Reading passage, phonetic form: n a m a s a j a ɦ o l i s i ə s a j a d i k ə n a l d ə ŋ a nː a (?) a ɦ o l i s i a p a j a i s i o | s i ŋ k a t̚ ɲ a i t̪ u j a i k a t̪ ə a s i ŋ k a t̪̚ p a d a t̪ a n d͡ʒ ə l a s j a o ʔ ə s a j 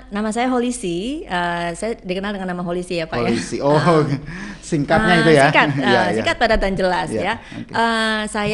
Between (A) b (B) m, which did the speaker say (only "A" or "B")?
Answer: B